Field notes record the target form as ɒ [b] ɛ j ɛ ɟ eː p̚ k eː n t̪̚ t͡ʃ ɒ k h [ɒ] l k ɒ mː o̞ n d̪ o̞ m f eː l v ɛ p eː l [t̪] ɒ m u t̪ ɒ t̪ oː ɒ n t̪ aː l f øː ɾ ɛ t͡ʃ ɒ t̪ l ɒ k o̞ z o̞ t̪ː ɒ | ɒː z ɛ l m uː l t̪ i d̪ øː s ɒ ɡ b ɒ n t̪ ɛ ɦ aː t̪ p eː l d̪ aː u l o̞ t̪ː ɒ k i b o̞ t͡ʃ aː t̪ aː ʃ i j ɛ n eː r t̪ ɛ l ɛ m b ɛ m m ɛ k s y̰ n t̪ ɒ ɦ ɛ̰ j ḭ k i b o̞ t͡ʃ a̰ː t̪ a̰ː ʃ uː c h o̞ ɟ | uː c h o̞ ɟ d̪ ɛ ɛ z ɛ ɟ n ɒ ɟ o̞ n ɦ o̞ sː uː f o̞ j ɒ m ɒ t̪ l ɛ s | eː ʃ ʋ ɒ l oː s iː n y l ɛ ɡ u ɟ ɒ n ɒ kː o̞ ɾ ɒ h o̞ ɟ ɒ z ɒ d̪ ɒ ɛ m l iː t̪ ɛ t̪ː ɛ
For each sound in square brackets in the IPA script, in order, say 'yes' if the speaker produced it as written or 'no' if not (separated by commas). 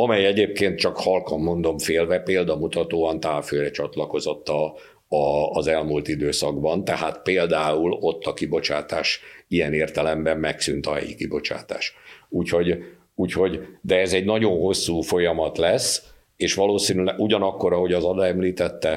no, yes, no